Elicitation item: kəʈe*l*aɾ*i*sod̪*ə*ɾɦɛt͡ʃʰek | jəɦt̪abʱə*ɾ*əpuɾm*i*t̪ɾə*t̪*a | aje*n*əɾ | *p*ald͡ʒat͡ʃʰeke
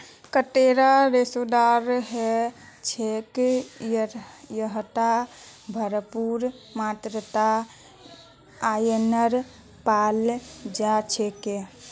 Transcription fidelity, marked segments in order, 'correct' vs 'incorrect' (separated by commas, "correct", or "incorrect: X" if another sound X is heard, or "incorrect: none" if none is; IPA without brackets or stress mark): incorrect: ɾ, incorrect: e, incorrect: a, correct, incorrect: a, correct, correct, correct